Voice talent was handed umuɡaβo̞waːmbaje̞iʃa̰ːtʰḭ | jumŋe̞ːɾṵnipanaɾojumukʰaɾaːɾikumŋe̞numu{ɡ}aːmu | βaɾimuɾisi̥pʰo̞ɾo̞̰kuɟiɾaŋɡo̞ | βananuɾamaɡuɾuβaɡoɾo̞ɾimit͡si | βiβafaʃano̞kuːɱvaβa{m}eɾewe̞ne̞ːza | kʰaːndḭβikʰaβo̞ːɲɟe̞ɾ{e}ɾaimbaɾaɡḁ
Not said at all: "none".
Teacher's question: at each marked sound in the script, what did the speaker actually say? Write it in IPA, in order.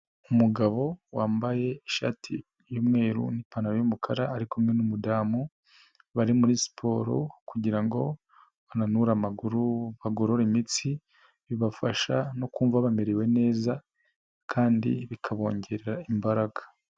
d, m, e

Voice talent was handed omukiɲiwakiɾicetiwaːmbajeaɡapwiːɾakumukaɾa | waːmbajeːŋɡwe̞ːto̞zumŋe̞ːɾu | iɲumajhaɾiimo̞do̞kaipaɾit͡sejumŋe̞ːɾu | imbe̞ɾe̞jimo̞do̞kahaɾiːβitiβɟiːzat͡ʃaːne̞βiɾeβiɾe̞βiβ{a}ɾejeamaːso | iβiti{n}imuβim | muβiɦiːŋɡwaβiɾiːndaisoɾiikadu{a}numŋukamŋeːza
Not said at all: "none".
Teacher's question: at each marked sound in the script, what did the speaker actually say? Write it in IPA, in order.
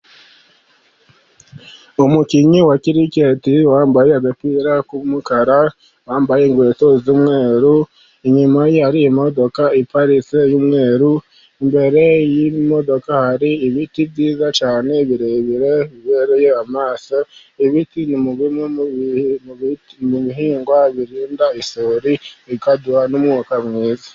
e, n, a

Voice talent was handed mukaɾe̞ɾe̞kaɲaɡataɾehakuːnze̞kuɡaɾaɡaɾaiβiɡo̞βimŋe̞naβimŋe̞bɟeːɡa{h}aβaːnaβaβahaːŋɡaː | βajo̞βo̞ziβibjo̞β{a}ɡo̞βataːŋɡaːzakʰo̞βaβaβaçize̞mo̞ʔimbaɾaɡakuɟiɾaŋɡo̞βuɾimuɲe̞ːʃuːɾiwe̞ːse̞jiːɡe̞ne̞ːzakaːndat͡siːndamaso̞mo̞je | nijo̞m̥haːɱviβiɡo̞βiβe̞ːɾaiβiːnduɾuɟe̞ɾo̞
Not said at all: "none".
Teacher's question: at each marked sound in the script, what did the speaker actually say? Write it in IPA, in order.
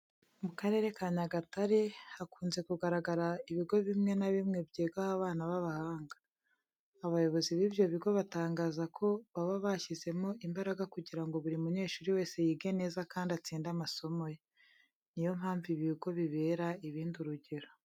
h, i

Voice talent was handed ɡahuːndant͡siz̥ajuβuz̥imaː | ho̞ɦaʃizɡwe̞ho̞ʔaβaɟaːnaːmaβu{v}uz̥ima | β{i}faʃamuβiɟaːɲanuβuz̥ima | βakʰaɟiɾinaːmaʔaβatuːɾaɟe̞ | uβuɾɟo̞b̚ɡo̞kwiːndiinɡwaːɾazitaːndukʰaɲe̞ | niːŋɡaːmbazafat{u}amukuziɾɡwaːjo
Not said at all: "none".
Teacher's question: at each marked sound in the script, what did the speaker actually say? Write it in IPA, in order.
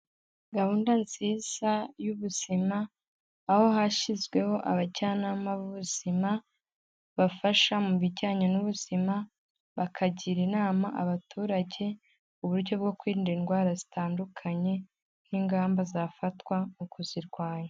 β, a, w

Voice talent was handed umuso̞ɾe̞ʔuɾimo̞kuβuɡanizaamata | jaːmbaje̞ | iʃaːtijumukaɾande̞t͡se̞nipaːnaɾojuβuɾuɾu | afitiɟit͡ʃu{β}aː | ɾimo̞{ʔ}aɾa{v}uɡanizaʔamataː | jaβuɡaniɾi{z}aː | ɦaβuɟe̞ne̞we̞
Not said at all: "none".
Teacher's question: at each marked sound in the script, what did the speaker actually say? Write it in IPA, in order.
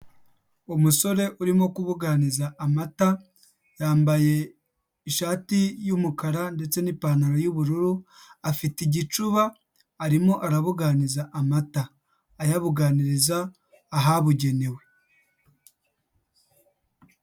β, ʔ, β, z

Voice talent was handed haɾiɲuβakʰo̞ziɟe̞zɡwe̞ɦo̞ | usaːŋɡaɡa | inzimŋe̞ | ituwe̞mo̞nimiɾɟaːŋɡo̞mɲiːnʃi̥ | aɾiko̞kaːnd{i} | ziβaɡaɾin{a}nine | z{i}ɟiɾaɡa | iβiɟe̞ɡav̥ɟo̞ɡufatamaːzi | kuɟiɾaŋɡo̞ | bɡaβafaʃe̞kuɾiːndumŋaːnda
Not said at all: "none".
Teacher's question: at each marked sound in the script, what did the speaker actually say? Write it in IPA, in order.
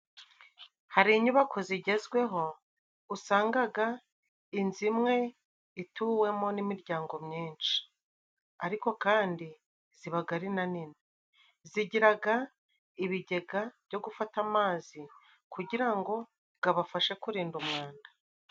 i, a, i

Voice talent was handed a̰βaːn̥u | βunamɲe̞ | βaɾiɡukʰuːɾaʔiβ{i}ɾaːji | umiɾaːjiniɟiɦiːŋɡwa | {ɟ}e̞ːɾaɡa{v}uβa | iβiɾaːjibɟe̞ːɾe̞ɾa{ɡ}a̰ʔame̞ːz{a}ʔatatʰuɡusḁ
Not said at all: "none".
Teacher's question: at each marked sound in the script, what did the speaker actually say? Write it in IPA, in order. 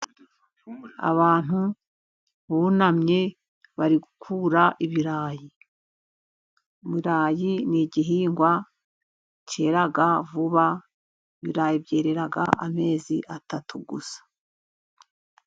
i, c, v, ɡ, i

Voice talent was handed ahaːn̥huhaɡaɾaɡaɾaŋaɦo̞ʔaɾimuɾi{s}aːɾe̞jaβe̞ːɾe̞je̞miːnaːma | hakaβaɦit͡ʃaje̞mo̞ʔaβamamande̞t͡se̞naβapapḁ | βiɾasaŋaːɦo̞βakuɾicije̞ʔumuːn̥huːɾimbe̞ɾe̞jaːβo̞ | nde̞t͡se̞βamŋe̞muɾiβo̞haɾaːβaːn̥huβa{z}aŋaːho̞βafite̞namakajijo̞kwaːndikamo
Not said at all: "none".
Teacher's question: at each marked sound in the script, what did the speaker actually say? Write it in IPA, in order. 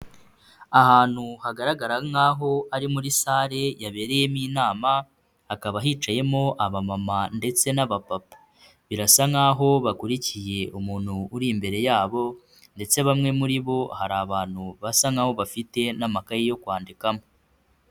s, s

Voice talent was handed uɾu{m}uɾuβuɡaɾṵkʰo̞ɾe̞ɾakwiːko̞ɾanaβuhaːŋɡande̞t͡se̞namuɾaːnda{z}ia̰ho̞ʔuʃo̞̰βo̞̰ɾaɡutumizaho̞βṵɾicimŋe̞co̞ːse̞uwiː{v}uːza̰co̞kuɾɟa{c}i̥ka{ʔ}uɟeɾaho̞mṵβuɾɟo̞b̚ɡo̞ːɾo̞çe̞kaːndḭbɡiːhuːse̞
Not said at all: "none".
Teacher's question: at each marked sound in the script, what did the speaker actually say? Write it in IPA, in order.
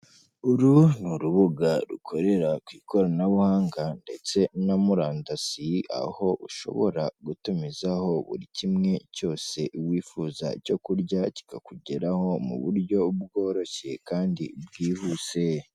n, s, f, c, k

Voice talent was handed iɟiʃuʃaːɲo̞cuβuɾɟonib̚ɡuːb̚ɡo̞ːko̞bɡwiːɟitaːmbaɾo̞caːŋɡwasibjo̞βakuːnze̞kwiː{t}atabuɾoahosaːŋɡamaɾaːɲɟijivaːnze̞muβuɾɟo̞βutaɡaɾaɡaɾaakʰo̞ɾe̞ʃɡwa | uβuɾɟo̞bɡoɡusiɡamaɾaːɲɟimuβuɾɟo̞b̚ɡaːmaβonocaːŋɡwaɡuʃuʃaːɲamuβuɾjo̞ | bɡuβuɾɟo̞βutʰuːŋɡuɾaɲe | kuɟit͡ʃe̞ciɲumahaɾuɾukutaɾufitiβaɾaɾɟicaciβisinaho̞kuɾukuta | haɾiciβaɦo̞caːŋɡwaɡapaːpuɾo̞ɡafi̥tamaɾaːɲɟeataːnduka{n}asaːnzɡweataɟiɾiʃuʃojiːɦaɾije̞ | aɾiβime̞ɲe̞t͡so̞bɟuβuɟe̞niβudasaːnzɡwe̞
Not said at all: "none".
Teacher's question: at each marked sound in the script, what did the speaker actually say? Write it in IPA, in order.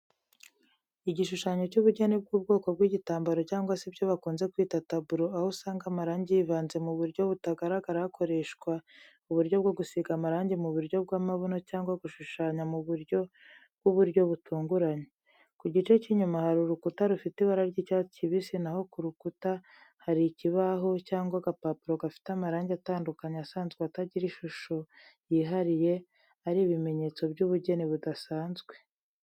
t, ɲ

